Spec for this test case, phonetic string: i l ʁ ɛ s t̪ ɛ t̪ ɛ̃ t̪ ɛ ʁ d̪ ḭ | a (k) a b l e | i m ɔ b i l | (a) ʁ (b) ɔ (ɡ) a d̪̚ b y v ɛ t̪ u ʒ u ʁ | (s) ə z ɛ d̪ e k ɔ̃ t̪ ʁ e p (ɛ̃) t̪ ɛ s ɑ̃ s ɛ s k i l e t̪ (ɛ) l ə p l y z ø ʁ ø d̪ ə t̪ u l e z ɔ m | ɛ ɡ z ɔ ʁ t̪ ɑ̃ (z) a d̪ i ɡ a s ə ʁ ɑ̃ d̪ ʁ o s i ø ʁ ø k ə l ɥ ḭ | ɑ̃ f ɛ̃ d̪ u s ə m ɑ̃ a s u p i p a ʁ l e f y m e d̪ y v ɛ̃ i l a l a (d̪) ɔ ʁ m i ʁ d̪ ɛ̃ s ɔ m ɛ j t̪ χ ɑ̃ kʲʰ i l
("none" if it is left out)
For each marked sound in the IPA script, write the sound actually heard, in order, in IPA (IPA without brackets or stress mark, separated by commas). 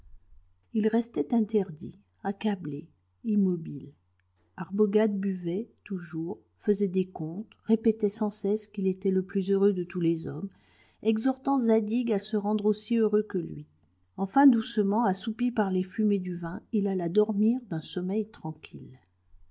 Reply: k, a, b, ɡ, f, ɛ, ɛ, z, d̪